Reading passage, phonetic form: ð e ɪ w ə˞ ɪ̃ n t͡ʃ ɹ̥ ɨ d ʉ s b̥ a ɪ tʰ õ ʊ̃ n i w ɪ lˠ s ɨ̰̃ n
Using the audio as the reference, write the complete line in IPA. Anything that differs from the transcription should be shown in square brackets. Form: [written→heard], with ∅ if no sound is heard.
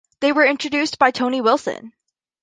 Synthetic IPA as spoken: ð e ɪ w ə˞ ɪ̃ n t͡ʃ ɹ̥ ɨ d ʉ s b̥ a ɪ tʰ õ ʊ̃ n i w ɪ lˠ s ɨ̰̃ n